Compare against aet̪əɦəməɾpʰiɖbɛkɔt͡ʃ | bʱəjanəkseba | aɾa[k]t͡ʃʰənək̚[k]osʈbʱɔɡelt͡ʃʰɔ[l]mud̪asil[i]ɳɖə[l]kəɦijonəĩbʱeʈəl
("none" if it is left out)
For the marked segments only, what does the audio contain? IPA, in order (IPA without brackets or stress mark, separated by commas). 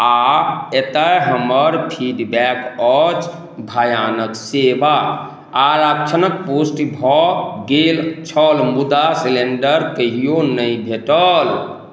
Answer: k, p, l, e, ɾ